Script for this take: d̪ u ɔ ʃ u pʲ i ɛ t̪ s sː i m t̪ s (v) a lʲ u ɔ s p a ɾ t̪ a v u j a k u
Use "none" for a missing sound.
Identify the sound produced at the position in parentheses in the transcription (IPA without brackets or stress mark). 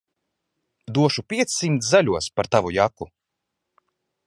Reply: z